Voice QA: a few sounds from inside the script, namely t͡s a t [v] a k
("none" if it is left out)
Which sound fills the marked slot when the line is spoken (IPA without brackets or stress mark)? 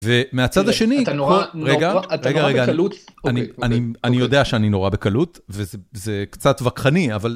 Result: v